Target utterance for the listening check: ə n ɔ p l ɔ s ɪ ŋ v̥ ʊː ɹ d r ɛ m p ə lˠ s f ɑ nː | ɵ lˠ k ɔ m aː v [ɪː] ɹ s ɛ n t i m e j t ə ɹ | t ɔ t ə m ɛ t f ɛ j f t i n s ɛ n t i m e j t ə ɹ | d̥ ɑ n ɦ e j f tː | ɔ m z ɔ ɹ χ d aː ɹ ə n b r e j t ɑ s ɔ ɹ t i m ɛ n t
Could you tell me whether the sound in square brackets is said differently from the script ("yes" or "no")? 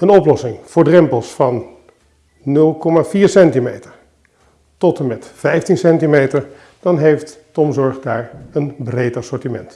yes